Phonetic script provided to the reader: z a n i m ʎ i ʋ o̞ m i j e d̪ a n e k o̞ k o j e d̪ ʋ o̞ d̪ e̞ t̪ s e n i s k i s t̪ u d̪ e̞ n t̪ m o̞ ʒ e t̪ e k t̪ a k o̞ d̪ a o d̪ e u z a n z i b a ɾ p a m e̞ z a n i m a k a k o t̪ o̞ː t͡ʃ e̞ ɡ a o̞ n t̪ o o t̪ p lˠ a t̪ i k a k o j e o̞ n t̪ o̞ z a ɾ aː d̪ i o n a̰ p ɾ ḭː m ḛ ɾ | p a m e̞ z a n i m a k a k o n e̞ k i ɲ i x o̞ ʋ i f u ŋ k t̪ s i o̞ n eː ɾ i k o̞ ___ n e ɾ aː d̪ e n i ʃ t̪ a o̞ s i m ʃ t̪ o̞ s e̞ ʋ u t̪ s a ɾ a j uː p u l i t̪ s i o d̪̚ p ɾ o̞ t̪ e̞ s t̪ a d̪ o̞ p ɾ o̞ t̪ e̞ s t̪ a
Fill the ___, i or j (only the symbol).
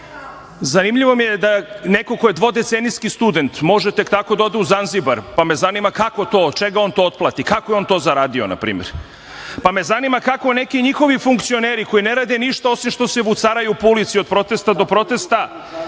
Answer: i